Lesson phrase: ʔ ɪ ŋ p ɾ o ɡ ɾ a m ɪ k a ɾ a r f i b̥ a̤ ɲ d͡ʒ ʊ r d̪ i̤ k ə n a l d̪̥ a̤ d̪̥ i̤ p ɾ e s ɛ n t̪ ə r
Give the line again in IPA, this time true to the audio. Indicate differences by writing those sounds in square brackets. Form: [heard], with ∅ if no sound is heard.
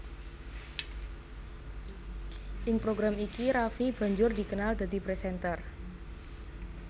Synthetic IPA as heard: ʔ ɪ ŋ p ɾ o ɡ ɾ a m [i] k [i] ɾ a [∅] f i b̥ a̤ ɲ d͡ʒ ʊ r d̪ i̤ k ə n a l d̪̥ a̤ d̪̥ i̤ p ɾ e s ɛ n t̪ ə r